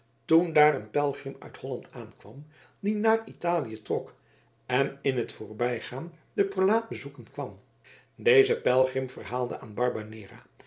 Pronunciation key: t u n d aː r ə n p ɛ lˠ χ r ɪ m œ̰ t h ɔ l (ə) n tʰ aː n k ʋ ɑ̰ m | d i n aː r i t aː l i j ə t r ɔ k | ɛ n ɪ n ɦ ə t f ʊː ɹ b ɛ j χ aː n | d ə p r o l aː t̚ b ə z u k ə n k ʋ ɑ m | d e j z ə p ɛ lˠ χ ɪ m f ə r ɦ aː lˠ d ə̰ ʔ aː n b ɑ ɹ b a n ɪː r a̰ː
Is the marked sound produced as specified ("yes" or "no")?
no